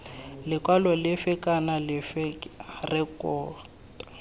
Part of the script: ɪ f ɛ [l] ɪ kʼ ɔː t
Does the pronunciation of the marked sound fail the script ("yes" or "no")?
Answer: yes